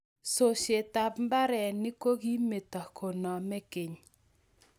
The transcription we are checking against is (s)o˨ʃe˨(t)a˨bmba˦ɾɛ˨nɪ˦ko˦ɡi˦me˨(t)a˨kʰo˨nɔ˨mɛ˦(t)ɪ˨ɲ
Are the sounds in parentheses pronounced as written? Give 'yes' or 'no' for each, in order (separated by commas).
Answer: yes, yes, yes, no